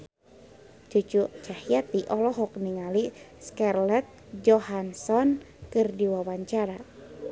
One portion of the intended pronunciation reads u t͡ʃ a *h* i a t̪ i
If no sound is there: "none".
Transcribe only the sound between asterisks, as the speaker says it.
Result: h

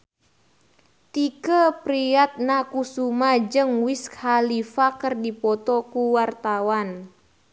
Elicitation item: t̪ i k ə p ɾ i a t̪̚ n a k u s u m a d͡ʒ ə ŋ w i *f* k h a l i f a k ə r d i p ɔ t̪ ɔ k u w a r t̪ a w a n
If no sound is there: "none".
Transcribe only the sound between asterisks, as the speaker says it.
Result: s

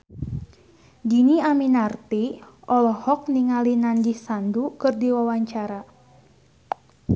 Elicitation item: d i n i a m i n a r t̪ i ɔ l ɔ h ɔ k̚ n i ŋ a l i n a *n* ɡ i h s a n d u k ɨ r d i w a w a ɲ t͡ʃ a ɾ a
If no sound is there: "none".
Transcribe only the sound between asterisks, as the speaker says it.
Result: n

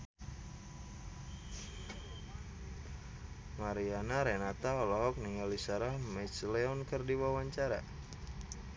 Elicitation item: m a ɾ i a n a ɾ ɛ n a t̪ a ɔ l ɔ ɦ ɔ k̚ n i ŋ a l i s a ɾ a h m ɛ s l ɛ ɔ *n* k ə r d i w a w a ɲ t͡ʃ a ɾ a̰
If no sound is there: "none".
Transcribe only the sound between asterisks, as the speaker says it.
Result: n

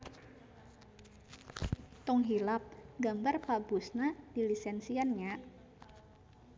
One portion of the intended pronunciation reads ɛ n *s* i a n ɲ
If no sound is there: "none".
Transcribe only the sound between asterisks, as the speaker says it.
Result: s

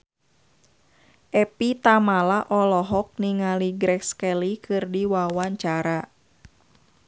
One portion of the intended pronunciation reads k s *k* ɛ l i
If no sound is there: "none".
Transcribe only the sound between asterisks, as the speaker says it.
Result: k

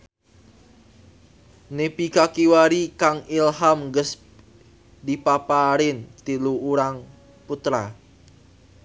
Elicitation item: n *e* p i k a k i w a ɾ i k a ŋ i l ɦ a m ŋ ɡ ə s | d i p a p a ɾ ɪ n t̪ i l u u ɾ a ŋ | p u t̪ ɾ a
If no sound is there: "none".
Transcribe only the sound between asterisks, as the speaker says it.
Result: e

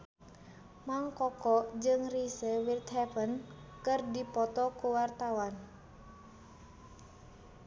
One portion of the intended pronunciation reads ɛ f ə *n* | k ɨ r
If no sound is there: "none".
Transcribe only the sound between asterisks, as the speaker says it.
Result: n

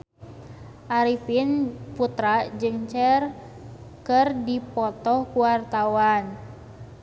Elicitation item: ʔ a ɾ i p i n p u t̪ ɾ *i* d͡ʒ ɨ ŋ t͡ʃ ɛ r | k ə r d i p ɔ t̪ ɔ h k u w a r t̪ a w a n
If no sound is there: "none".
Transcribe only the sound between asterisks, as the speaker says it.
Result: a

